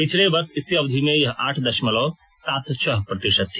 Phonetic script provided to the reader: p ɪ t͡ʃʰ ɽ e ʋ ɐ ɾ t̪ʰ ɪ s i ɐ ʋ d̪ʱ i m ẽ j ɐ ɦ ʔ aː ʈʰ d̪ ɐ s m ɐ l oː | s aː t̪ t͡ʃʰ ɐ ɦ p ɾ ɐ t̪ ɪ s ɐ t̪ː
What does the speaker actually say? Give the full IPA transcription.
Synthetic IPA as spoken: p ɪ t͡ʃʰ l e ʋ ɐ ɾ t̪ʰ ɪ s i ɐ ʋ d̪ʱ i m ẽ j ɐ ɦ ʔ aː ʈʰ d̪ ɐ ʃ m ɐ l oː | s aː t̪ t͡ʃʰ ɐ ɦ p ɾ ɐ t̪ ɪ ʃ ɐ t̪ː

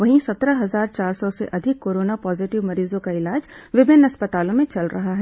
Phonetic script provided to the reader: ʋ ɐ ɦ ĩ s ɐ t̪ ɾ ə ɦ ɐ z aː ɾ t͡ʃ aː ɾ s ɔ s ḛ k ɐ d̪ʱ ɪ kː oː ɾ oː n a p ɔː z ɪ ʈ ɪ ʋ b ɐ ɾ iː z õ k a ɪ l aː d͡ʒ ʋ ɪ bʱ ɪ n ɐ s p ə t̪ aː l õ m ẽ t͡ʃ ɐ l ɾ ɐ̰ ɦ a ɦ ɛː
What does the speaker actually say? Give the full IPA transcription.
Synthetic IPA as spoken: ʋ ɐ ɦ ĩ s ɐ t̪ ɾ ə ɦ ɐ z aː ɾ t͡ʃ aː ɾ s ɔ s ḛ ʔ ɐ d̪ʱ ɪ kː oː ɾ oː n a p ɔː z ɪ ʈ ɪ ʋ m ɐ ɾ iː z õ k a ɪ l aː d͡ʒ ʋ ɪ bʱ ɪ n ɐ s p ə t̪ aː l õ m ẽ t͡ʃ ɐ l ɾ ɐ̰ ɦ a ɦ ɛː

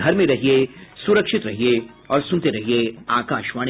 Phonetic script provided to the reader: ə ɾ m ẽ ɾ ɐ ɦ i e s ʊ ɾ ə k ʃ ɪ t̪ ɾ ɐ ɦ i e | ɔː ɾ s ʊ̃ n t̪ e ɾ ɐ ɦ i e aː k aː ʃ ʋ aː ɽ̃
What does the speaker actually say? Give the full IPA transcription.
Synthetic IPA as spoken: ɐ ɾ m ẽ ɾ ɐ ɦ i e s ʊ ɾ ə k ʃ ɪ t̪ ɾ ɐ ɦ i e | ɔː ɾ s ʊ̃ n t̪ e ɾ ɐ ɦ i e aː k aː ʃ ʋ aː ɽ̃

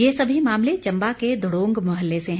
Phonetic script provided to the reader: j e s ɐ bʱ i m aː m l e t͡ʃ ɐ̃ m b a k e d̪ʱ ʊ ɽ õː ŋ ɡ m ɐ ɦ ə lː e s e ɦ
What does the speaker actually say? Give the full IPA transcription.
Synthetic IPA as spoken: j e s ɐ bʱ i m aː m l e t͡ʃ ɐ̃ m b a k e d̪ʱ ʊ ɽ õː ŋ ɡ m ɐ ɦ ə lː e s e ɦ

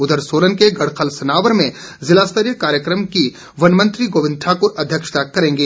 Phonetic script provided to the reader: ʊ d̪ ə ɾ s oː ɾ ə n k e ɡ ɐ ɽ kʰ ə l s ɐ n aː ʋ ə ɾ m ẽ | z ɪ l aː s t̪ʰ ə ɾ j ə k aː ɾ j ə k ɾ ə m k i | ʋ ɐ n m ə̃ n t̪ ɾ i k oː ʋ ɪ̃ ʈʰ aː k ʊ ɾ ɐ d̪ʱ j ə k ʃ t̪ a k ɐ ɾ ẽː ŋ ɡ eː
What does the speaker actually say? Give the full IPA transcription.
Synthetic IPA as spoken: ʊ d̪ ə ɾ s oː ɾ ə n k e ɡ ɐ ɽ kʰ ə l s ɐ n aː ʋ ə ɾ m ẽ | z ɪ l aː s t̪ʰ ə ɾ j ə k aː ɾ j ə k ɾ ə m k i | ʋ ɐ n m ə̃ n t̪ ɾ i ɡ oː ʋ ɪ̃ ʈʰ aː k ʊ ɾ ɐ d̪ʱ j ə k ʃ t̪ a k ɐ ɾ ẽː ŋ ɡ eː

